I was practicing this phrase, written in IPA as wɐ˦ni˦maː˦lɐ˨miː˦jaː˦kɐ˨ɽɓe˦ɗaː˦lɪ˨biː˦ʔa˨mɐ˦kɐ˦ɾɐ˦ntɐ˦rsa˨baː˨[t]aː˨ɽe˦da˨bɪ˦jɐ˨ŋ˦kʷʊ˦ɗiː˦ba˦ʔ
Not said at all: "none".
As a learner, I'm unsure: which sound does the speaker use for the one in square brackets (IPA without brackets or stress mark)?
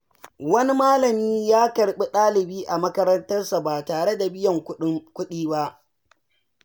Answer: t